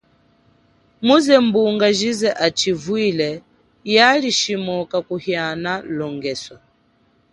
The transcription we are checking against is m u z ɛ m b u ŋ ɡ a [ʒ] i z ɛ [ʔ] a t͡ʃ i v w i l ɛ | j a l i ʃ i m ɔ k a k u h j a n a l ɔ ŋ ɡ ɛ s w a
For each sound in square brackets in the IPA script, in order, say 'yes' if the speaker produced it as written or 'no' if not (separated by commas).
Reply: yes, yes